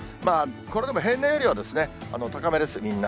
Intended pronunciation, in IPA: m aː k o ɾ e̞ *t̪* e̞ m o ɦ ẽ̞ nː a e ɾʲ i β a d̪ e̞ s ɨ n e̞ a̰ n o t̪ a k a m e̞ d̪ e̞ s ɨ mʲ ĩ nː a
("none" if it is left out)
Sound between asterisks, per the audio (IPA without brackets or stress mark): d̪